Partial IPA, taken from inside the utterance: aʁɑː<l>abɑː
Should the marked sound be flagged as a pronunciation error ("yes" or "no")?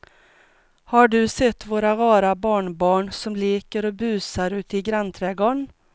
yes